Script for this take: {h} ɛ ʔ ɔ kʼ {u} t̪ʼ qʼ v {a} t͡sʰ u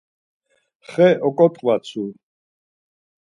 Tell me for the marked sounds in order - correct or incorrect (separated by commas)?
incorrect, incorrect, correct